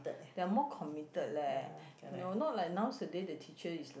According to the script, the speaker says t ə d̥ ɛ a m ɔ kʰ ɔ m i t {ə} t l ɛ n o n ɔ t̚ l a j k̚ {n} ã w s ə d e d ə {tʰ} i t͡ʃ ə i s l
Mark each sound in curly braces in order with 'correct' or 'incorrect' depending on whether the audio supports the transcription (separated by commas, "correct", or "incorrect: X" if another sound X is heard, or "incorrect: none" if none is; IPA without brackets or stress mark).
correct, correct, correct